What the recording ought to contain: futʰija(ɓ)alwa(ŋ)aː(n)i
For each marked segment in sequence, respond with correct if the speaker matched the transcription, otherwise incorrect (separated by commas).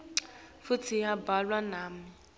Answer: incorrect, incorrect, incorrect